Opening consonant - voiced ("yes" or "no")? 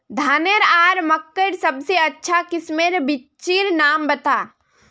yes